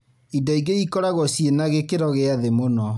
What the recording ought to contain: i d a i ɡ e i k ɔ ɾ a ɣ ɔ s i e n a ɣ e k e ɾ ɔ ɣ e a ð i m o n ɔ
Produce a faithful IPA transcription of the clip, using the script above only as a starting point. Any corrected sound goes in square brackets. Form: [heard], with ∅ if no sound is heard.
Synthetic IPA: i d a i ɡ e i k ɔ ɾ a ɣ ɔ s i e n a ɣ e k e ɾ ɔ ɣ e a ð [e] m o n ɔ